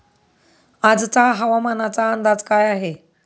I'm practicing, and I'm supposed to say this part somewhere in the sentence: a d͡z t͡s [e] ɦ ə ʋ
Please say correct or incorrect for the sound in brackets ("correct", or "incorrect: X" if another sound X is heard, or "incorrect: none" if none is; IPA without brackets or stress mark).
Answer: incorrect: a